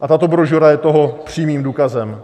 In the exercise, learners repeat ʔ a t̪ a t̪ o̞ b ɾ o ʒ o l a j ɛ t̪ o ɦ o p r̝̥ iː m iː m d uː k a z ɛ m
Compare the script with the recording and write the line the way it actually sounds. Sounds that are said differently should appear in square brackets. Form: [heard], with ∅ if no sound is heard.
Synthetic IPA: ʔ a t̪ a t̪ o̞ b ɾ o ʒ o [ɾ] a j ɛ t̪ o ɦ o p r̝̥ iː m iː m d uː k a z ɛ m